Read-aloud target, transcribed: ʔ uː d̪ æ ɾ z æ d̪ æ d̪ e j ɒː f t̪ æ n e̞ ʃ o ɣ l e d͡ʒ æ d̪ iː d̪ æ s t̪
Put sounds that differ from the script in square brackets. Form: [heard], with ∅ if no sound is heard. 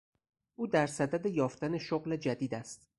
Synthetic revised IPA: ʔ uː d̪ æ ɾ [s] æ d̪ æ d̪ e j ɒː f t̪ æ n e̞ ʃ o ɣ l e d͡ʒ æ d̪ iː d̪ æ s t̪